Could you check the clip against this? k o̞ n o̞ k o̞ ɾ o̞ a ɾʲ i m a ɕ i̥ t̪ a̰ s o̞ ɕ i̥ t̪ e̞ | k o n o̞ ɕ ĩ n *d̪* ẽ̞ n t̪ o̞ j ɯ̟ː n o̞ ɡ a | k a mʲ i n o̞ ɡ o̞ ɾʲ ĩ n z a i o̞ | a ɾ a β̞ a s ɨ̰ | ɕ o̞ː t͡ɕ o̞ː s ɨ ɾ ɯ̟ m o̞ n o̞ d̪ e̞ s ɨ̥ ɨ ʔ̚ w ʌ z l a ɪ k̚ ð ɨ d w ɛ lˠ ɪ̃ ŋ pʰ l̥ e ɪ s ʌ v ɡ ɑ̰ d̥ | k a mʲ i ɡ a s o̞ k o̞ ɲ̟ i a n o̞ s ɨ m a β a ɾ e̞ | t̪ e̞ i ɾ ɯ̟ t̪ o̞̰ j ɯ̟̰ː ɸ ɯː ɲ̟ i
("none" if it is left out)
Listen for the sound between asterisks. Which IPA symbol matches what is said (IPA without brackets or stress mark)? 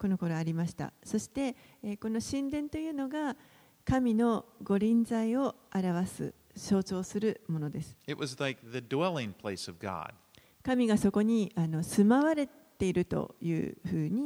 d̪